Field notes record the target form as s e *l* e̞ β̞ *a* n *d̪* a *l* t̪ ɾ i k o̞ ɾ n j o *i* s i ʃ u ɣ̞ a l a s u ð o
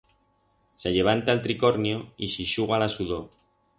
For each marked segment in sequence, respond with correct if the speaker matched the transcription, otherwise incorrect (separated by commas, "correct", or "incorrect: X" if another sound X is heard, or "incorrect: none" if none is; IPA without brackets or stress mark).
incorrect: ʎ, correct, incorrect: t̪, correct, correct